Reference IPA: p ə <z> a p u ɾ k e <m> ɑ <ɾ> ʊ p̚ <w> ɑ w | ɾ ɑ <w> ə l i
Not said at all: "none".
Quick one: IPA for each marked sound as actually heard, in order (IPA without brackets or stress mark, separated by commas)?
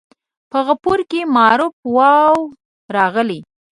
ɣ, m, ɾ, w, ɣ